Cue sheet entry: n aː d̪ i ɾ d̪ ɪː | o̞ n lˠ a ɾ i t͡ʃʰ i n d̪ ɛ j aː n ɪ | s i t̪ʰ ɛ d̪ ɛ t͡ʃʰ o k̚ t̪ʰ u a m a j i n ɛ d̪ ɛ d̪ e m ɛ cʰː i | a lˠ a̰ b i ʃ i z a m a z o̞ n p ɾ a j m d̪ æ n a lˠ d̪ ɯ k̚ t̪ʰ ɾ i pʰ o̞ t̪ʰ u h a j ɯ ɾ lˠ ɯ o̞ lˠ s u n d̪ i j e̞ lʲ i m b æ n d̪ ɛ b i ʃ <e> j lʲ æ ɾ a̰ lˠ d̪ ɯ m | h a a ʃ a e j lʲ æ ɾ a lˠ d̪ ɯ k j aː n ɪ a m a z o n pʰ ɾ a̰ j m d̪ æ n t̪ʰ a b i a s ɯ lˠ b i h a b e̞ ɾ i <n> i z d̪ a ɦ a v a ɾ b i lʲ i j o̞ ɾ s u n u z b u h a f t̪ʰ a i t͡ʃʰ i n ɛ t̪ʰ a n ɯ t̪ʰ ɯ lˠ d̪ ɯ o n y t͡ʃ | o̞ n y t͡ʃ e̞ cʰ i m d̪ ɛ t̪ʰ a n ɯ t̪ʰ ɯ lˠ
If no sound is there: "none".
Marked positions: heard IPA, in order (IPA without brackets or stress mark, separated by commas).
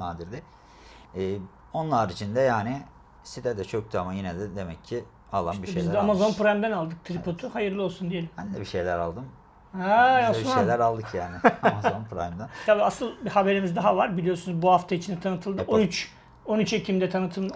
e, m